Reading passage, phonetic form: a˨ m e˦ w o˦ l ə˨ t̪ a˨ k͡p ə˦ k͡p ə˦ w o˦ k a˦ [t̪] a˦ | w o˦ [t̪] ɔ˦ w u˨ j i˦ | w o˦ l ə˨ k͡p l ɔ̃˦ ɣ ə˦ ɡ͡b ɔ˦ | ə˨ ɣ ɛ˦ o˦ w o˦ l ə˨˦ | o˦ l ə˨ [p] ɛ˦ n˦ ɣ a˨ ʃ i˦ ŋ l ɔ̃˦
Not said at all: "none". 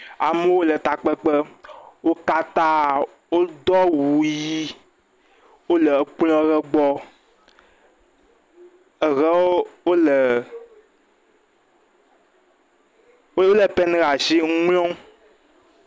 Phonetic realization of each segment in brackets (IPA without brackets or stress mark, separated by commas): t̪, d̪, p